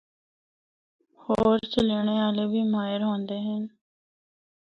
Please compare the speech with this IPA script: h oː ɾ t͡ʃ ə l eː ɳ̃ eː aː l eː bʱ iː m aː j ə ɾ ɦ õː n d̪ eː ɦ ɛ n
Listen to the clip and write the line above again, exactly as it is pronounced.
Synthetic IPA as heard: h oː ɾ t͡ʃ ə l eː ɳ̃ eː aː l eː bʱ iː m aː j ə ɾ ɦ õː n d̪ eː ɦ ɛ n